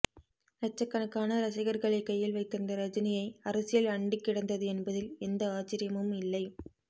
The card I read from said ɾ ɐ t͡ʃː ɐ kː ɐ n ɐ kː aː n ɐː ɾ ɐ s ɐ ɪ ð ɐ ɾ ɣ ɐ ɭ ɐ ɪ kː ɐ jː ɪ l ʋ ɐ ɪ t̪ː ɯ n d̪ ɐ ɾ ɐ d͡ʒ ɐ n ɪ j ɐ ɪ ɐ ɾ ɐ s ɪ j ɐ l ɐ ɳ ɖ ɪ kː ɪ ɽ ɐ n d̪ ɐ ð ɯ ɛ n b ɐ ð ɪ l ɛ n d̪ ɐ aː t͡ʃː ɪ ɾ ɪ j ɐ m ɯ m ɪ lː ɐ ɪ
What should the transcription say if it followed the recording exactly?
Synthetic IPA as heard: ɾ ɐ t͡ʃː ɐ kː ɐ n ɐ kː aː n ɐ ɾ ɐ s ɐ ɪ ɣ ɐ ɾ ɣ ɐ ɭ ɐ ɪ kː ɐ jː ɪ l ʋ ɐ ɪ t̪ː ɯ n d̪ ɐ ɾ ɐ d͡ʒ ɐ n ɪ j ɐ ɪ ɐ ɾ ɐ s ɪ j ɐ l ɐ ɳ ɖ ɪ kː ɪ ɽ ɐ n d̪ ɐ ð ɯ ɛ n b ɐ ð ɪ l ɛ n d̪ ɐ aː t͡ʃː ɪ ɾ ɪ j ɐ m ɯ m ɪ lː ɐ ɪ